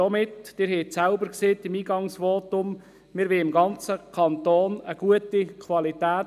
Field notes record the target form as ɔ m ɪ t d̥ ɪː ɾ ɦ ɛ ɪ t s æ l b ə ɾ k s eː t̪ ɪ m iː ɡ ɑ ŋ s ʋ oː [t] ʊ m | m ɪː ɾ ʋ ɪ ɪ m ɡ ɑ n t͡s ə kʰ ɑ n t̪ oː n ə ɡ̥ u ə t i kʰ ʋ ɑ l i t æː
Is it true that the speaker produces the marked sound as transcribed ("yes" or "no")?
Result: yes